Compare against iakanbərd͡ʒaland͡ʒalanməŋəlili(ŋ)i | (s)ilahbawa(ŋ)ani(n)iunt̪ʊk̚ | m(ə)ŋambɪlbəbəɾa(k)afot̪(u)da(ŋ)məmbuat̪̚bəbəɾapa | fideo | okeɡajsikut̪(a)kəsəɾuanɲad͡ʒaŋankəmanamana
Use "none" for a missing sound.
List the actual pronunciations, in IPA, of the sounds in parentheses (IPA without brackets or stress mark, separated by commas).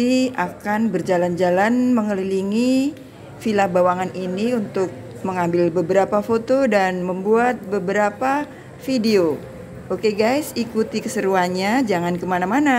ŋ, f, ŋ, n, ə, p, o, n, i